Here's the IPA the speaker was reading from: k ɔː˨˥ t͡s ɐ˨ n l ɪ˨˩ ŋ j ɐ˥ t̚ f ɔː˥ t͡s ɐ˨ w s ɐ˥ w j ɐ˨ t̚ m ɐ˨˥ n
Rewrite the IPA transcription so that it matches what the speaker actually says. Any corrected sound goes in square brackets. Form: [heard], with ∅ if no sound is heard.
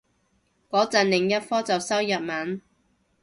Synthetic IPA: k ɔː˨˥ t͡s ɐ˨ n l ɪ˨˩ ŋ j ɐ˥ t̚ f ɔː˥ t͡s ɐ˨ w s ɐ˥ w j ɐ˨ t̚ m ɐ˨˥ n